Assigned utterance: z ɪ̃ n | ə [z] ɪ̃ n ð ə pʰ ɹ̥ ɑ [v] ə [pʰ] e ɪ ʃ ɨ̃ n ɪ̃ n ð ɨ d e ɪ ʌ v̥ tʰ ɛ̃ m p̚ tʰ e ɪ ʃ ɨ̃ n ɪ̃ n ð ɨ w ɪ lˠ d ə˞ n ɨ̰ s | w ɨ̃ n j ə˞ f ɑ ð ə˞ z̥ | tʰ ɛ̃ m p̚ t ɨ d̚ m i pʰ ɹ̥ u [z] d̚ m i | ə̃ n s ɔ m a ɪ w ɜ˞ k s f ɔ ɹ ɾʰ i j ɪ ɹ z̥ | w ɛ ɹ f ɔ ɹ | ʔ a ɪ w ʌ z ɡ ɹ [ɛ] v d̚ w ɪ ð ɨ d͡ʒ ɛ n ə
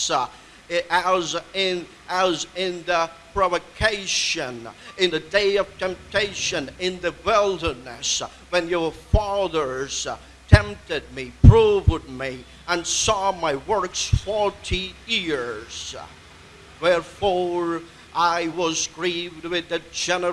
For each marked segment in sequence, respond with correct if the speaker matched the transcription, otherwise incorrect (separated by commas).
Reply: correct, correct, incorrect, incorrect, incorrect